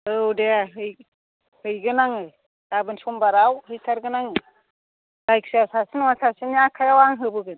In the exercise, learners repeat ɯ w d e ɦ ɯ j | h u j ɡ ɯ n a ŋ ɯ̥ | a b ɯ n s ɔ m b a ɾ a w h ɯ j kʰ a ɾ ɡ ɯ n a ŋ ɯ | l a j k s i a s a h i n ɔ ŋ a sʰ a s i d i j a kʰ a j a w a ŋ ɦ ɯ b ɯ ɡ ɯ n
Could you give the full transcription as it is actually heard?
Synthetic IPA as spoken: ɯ w d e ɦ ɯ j | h ɯ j ɡ ɯ n a ŋ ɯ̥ | a b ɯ n s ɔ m b a ɾ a w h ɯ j tʰ a ɾ ɡ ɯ n a ŋ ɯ | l a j k s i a s a s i n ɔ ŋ a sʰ a s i n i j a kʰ a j a w a ŋ ɦ ɯ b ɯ ɡ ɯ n